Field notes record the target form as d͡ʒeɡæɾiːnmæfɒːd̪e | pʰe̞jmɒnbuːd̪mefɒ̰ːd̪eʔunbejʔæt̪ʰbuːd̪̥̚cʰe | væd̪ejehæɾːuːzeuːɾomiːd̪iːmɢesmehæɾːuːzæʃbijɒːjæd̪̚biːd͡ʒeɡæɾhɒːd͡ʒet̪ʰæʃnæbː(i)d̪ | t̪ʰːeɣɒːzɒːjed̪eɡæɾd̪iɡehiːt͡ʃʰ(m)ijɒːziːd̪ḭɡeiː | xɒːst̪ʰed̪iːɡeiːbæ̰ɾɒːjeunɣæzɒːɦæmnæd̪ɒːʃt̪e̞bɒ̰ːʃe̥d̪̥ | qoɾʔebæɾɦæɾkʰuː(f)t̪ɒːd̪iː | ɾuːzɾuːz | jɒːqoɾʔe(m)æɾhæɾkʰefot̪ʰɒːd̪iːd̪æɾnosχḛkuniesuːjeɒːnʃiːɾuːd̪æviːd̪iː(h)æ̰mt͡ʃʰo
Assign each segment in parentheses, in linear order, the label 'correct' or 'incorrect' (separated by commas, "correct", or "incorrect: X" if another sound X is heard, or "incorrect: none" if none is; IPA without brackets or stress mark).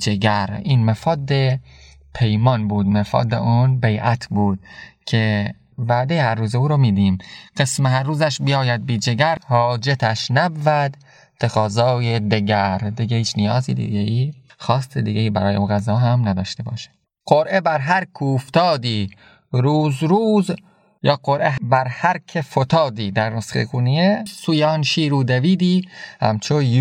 incorrect: æ, incorrect: n, correct, incorrect: b, correct